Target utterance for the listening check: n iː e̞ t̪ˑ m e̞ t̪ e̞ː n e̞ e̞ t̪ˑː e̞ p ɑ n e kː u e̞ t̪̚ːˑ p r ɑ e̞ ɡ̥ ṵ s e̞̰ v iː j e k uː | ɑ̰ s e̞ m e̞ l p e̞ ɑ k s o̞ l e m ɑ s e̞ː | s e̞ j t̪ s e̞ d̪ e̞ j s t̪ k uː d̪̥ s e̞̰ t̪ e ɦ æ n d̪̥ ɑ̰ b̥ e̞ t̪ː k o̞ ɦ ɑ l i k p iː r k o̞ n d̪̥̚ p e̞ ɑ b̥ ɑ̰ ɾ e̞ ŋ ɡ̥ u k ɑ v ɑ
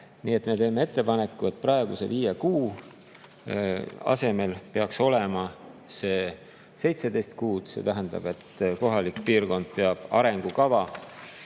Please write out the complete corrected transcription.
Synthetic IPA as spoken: n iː e̞ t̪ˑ m e̞ t̪ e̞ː m e̞ e̞ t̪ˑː e̞ p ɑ n e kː u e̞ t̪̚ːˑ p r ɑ e̞ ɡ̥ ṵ s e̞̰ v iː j e k uː | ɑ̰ s e̞ m e̞ l p e̞ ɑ k s o̞ l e m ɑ s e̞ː | s e̞ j t̪ s e̞ d̪ e̞ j s t̪ k uː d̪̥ s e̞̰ t̪ æ ɦ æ n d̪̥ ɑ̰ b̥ e̞ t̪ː k o̞ ɦ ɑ l i k p iː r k o̞ n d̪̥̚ p e̞ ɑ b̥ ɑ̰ ɾ e̞ ŋ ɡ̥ u k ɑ v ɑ